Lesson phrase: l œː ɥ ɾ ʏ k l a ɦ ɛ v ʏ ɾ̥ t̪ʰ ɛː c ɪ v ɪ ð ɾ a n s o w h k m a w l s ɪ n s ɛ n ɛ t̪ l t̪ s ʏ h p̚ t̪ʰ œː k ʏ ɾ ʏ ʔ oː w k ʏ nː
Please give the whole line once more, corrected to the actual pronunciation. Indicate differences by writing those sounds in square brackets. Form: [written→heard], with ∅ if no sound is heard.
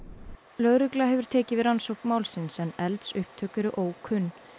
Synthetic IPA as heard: l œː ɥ ɾ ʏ k l a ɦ ɛ v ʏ ɾ̥ t̪ʰ ɛː c ɪ v ɪ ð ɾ a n s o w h k m a w l s ɪ n s ɛ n ɛ [t̪→∅] l t̪ s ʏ h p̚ t̪ʰ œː k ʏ ɾ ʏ ʔ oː w [k→kʰ] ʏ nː